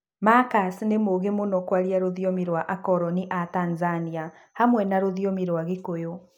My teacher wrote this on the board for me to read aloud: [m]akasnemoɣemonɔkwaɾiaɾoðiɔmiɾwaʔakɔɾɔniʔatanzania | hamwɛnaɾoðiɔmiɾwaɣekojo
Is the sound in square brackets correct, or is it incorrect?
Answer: correct